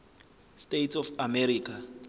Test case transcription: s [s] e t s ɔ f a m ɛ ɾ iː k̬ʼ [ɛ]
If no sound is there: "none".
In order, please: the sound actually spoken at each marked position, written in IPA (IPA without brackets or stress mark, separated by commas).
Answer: t, a